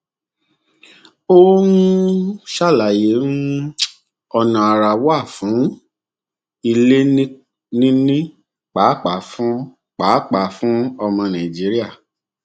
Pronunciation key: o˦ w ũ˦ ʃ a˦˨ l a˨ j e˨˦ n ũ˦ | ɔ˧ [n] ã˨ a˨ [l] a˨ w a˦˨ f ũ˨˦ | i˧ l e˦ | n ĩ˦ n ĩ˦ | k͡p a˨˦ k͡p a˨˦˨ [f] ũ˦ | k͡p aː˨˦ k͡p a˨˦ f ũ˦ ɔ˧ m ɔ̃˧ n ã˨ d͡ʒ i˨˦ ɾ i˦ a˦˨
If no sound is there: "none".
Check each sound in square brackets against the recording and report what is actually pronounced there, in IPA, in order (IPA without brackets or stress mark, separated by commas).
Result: n, ɾ, f